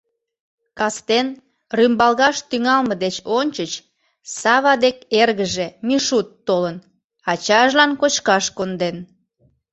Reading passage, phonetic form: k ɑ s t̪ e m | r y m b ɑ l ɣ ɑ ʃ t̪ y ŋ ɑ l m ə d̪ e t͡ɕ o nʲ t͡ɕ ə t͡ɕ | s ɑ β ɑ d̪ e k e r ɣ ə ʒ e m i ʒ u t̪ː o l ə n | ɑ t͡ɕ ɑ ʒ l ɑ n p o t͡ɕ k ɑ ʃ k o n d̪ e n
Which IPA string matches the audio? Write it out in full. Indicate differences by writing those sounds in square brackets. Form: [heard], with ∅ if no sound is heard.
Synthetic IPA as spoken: k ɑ s t̪ e [n] | r y m b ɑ l ɣ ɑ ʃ t̪ y ŋ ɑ l m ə d̪ e t͡ɕ o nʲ t͡ɕ ə t͡ɕ | s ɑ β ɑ d̪ e k e r ɣ ə ʒ e m i [ʃ] u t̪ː o l ə n | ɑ t͡ɕ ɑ ʒ l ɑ n [k] o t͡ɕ k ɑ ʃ k o n d̪ e n